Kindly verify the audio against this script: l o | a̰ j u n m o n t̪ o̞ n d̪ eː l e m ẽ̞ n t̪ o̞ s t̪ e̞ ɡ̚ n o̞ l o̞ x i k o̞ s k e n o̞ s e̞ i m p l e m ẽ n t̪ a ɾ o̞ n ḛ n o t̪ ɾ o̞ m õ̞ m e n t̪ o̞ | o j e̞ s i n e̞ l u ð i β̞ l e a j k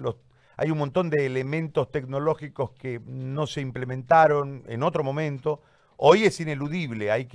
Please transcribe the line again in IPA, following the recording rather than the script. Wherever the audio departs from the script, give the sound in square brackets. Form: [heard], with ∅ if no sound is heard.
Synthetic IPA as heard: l o | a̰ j u n m o n t̪ o̞ n d̪ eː l e m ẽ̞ n t̪ o̞ s t̪ e̞ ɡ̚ n o̞ l o̞ x i k o̞ s k e n o̞ s e̞ i m p l e m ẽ n t̪ a ɾ o̞ n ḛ n o t̪ ɾ o̞ m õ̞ m [ẽ] n t̪ o̞ | o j e̞ s i n e̞ l u ð i β̞ l e a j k